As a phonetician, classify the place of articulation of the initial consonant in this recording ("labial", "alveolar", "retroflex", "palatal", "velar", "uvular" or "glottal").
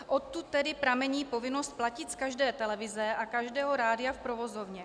glottal